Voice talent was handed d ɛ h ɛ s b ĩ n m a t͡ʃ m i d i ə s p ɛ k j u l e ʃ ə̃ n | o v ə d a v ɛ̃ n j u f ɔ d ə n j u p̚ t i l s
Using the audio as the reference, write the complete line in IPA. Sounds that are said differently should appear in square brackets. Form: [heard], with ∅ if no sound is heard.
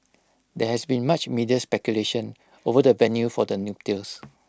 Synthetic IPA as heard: d ɛ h ɛ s b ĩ n m a t͡ʃ m i d i ə s p ɛ k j u l e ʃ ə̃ n | o v ə d [ə] v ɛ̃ n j u f ɔ d ə n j u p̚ t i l s